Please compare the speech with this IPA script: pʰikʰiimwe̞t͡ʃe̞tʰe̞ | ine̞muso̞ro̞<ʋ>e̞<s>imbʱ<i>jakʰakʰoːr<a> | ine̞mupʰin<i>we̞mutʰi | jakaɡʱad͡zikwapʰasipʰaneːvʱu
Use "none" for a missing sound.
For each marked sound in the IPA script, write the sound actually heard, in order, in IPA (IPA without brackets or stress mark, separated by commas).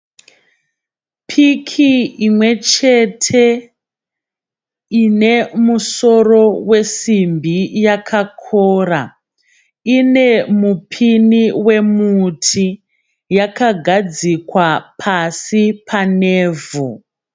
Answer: w, s, i, a, i